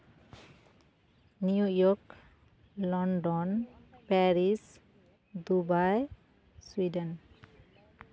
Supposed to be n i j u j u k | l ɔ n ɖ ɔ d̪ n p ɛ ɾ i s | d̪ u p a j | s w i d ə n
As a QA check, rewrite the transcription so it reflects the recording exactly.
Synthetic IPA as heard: n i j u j ɔ k | l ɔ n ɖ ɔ n p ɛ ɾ i s | d̪ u b a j | s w i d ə n